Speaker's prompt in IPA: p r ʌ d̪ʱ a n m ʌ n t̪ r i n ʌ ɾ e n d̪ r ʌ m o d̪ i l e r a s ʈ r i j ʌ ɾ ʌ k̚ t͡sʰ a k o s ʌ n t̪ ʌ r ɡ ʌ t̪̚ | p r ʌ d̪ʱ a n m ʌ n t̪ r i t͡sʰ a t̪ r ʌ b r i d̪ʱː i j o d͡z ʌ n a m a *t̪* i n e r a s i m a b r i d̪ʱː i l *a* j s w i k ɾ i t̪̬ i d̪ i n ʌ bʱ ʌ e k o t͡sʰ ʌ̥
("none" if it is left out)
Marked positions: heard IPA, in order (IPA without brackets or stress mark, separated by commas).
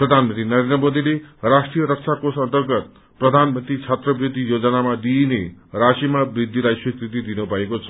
d̪, a